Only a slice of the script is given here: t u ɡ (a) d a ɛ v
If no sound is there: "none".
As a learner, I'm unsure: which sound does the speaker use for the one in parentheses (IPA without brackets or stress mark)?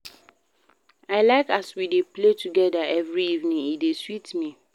ɛ